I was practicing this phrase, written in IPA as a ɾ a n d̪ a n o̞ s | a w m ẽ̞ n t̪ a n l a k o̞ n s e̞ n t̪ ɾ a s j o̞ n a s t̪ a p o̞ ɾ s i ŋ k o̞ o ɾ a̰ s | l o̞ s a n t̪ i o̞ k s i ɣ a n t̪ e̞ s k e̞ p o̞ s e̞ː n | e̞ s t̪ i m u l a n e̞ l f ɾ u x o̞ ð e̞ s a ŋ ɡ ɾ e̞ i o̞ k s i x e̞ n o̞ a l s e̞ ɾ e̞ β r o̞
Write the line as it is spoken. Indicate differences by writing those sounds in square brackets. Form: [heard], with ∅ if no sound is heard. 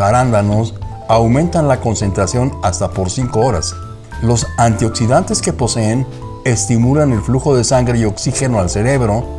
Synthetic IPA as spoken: a ɾ a n d̪ a n o̞ s | a w m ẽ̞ n t̪ a n l a k o̞ n s e̞ n t̪ ɾ a s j o̞ n a s t̪ a p o̞ ɾ s i ŋ k o̞ o ɾ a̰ s | l o̞ s a n t̪ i o̞ k s i [ð] a n t̪ e̞ s k e̞ p o̞ s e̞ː n | e̞ s t̪ i m u l a n e̞ l f [l] u x o̞ ð e̞ s a ŋ ɡ ɾ e̞ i o̞ k s i x e̞ n o̞ a l s e̞ ɾ e̞ β [ɾ] o̞